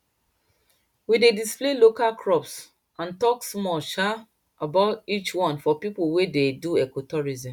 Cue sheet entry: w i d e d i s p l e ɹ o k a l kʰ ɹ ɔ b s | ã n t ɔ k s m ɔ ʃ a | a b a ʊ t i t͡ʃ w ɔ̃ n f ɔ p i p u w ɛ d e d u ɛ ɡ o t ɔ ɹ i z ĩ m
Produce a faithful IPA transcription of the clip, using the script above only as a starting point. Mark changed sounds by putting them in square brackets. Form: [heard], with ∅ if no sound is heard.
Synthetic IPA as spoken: w i d e d i s p l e [l] o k a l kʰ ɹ ɔ [p] s | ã n t ɔ k s m ɔ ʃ a | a b a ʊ t i t͡ʃ w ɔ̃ n f ɔ p i p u w [e] d e d u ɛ [k] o t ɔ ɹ i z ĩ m